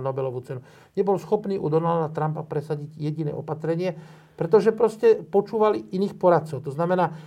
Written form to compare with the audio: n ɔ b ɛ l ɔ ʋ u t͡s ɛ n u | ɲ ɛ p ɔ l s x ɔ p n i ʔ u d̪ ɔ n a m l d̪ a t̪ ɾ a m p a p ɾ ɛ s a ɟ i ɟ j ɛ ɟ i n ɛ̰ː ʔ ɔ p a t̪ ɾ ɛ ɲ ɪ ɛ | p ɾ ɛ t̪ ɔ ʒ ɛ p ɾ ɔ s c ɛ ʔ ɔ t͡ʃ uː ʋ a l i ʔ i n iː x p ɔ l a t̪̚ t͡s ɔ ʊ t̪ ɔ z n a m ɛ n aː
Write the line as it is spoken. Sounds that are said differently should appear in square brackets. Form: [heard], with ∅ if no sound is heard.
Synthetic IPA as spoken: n ɔ b ɛ l ɔ ʋ u t͡s ɛ n u | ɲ ɛ [b] ɔ l s x ɔ p n [iː] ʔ u d̪ ɔ n a [∅] l d̪ a t̪ ɾ a m p a p ɾ ɛ s a ɟ i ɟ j ɛ ɟ i n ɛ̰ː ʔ ɔ p a t̪ ɾ ɛ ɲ ɪ ɛ | p ɾ ɛ t̪ ɔ ʒ ɛ p ɾ ɔ s c ɛ [p] ɔ t͡ʃ uː ʋ a l i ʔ i n iː x p ɔ [ɾ] a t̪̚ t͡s ɔ ʊ t̪ ɔ z n a m ɛ n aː